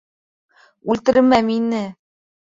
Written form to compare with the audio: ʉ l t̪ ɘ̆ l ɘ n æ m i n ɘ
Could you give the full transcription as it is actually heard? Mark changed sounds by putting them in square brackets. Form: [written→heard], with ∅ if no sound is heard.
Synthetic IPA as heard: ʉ l t̪ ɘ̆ [l→ɾ] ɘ [n→m] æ m i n ɘ